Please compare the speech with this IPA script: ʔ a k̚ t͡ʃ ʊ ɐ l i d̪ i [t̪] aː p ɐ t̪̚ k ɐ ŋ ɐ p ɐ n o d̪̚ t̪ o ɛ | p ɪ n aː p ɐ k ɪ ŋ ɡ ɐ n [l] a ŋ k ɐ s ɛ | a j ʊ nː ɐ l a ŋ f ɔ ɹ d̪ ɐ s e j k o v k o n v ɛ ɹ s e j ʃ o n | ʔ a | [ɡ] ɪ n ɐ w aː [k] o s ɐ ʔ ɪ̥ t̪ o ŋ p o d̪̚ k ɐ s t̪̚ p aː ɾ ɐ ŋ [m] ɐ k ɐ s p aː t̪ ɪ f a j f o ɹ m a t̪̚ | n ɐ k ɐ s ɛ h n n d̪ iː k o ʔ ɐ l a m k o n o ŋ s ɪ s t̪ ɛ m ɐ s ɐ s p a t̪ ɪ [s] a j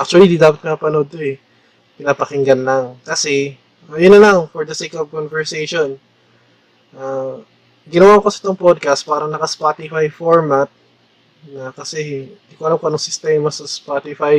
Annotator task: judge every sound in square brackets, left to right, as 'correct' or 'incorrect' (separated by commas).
incorrect, correct, correct, correct, incorrect, incorrect